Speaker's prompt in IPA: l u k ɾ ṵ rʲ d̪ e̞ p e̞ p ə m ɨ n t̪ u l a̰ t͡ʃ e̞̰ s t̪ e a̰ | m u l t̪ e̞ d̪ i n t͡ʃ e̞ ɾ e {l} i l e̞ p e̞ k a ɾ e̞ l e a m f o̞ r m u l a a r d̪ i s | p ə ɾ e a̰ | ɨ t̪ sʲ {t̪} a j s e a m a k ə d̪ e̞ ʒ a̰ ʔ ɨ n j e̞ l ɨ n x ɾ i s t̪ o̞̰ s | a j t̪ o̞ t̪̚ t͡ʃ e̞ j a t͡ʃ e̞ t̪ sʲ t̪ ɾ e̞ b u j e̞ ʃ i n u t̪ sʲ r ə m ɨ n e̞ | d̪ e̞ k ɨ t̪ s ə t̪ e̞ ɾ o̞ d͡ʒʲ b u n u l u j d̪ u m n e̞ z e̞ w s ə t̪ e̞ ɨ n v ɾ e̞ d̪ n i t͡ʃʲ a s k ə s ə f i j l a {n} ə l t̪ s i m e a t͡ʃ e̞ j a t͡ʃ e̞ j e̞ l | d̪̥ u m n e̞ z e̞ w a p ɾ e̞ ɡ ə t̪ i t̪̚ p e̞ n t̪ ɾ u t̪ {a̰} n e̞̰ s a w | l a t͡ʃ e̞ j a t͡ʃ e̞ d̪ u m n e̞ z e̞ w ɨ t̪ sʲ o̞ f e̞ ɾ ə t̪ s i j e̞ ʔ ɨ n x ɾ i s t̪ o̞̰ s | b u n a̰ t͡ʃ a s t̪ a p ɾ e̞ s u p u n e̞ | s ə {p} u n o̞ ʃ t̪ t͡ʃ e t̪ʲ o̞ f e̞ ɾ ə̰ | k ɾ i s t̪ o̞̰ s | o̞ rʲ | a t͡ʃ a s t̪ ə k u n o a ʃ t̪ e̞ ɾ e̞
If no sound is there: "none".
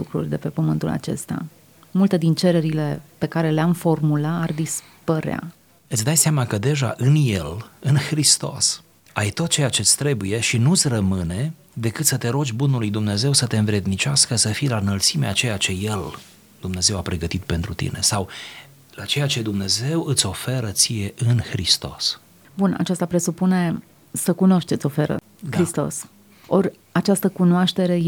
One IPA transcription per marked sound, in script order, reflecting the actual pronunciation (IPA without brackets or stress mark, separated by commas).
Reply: ɾ, d̪, n, ḭ, k